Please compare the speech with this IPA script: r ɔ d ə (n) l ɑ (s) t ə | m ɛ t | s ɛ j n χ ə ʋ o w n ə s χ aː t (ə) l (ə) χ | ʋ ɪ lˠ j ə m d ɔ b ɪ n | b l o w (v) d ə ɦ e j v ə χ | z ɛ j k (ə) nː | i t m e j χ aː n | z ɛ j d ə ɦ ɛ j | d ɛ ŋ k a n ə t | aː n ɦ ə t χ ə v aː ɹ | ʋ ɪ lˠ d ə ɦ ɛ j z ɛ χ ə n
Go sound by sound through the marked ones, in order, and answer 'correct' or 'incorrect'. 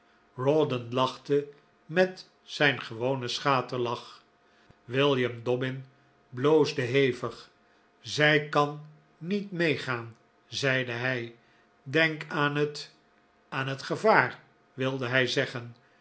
correct, incorrect, correct, incorrect, incorrect, incorrect

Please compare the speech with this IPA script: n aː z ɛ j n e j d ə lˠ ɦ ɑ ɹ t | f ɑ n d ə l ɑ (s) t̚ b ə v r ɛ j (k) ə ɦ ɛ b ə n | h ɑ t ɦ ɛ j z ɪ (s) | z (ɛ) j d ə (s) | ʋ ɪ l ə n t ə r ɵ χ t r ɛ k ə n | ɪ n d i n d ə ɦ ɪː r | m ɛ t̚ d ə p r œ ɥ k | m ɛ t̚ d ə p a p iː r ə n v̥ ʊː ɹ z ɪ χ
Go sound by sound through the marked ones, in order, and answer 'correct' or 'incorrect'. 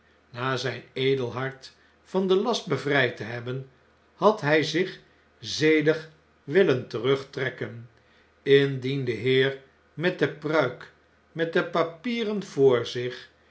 correct, incorrect, incorrect, incorrect, incorrect

